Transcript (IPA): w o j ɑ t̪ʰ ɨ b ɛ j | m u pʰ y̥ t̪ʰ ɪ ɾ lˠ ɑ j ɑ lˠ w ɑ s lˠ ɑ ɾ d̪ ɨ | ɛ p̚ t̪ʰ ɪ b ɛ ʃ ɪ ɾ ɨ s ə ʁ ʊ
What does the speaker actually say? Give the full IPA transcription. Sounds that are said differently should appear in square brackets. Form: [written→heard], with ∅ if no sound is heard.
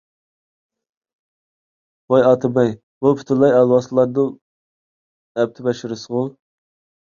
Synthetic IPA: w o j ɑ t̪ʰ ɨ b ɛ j | [m→b] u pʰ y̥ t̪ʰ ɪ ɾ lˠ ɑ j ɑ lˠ w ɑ s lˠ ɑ ɾ d̪ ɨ | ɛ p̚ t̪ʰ ɪ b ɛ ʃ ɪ ɾ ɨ s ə ʁ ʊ